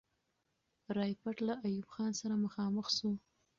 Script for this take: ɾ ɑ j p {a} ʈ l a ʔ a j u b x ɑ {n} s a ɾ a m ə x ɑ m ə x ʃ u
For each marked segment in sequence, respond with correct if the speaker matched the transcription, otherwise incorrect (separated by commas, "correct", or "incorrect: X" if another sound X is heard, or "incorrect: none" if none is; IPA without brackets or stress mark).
correct, correct